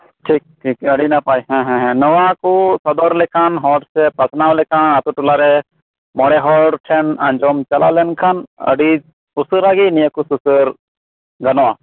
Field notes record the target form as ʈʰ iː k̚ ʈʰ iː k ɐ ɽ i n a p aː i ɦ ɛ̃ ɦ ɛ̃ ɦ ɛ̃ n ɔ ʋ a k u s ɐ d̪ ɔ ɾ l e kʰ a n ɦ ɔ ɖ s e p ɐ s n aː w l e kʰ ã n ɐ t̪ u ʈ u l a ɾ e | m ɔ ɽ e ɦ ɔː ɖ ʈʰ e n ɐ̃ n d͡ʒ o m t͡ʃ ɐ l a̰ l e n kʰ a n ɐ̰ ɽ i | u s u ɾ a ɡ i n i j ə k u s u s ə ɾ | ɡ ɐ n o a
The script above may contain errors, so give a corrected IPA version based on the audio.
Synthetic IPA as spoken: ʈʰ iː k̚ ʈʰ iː k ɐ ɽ i n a p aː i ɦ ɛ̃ ɦ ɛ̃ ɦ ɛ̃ n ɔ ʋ a k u s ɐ d̪ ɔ ɾ l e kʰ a n ɦ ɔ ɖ s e p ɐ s n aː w l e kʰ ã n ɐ t̪ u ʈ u l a ɾ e | m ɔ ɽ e ɦ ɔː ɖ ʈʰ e n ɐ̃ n d͡ʒ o m t͡ʃ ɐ l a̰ l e n kʰ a n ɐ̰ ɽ i | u s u ɾ a ɡ i n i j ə k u s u s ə ɾ | ɡ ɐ n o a